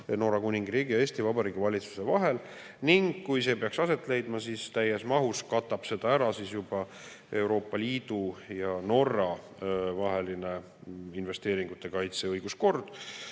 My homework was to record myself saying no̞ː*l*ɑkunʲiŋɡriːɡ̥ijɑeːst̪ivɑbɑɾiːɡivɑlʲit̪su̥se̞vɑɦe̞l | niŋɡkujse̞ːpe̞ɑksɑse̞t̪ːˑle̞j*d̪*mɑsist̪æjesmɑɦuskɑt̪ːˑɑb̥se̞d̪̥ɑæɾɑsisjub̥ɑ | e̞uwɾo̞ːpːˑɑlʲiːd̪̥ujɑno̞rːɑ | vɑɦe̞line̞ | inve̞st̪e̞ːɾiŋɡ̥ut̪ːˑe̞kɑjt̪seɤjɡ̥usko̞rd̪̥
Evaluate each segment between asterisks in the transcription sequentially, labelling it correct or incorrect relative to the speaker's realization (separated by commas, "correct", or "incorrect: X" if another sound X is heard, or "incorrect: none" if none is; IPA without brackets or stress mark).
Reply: incorrect: ɾ, correct